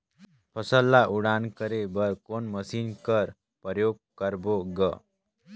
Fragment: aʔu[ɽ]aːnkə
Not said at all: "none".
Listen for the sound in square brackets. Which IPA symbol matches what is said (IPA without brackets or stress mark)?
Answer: ɽ